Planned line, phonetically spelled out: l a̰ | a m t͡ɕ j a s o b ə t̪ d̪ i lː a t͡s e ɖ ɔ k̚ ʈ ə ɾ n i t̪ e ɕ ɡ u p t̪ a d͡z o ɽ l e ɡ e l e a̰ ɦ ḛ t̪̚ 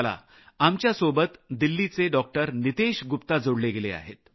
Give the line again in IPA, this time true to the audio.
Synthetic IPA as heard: l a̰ | a m t͡ɕ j a s o b ə t̪ d̪ i lː i t͡s e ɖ ɔ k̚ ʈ ə ɾ n i t̪ e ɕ ɡ u p t̪ a d͡z o ɽ l e ɡ e l e a̰ ɦ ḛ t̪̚